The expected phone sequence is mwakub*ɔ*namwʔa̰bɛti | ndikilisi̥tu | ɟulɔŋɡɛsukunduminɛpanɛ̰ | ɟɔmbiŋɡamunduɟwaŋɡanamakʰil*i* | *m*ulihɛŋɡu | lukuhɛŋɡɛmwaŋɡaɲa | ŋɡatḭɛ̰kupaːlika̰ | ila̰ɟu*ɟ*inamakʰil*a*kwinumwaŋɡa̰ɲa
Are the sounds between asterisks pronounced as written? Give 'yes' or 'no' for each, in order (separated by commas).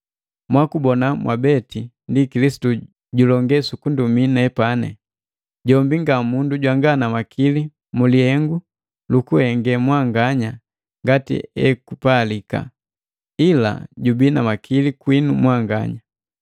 yes, yes, yes, no, no